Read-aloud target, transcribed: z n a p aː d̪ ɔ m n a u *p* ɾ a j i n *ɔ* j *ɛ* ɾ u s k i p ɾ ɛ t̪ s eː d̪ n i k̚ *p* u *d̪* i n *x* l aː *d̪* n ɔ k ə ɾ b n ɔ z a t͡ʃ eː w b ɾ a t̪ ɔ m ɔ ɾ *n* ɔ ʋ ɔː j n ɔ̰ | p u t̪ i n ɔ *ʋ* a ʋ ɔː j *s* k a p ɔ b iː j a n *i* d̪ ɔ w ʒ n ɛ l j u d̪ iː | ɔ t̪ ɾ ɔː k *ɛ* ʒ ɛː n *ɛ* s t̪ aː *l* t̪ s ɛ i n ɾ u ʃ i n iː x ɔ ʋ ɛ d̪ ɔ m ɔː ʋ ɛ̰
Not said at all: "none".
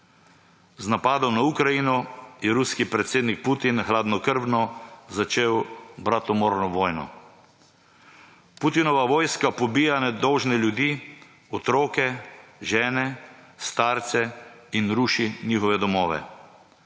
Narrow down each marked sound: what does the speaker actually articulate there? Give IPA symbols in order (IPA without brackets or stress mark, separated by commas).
k, ɔ, ɛ, p, t̪, x, d̪, n, ʋ, s, ɛ, ɛ, ɛ, ɾ